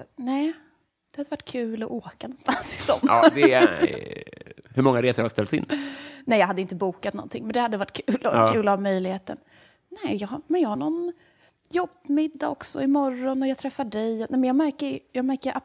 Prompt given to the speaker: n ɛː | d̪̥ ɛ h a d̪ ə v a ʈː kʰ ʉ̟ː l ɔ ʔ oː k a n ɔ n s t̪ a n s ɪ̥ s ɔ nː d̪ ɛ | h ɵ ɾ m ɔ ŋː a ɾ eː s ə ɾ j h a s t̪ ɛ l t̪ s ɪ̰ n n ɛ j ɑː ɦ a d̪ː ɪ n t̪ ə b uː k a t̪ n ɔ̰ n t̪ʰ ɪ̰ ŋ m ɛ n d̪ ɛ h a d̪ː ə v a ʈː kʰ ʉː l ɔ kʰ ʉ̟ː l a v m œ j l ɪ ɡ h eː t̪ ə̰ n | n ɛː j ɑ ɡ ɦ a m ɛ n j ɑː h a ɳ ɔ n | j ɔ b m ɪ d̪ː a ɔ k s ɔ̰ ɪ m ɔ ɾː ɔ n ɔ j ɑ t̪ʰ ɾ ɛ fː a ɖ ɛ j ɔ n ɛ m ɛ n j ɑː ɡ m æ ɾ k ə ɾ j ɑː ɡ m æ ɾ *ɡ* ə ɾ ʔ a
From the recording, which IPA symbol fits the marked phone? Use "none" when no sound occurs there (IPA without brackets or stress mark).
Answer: k